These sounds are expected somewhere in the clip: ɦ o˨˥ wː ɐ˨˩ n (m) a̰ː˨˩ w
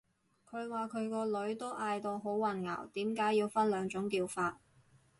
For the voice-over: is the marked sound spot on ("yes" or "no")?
no